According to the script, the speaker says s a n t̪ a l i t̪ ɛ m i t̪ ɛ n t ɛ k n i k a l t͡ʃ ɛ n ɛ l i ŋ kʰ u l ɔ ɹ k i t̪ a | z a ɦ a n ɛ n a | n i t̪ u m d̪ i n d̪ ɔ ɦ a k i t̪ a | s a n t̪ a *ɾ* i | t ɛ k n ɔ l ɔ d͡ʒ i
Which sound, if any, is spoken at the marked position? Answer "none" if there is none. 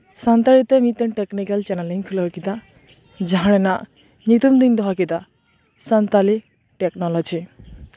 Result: l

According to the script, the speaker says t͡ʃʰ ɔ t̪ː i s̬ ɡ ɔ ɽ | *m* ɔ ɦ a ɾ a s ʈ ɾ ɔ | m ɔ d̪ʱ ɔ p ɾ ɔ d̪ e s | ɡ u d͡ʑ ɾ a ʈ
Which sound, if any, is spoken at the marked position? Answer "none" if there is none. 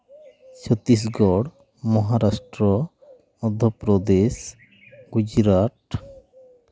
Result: m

